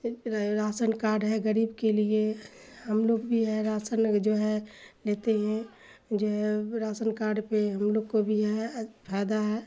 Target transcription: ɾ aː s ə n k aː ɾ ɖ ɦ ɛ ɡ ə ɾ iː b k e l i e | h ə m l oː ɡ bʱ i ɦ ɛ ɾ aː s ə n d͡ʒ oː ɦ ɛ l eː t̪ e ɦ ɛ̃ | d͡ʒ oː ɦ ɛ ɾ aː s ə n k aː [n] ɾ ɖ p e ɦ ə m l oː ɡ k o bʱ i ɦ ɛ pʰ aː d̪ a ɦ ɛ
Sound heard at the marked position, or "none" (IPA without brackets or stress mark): none